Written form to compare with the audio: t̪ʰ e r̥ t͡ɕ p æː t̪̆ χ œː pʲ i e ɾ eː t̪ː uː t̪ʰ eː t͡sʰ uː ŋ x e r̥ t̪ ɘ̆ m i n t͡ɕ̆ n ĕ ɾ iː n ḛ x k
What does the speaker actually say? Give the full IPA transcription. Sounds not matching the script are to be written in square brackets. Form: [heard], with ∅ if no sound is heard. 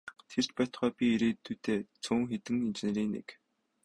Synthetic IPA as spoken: t̪ʰ e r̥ t͡ɕ p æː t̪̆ χ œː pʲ i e ɾ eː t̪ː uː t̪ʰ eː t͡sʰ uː ŋ x e [∅] t̪ ɘ̆ [ŋ] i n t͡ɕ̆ n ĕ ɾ iː n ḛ [∅] k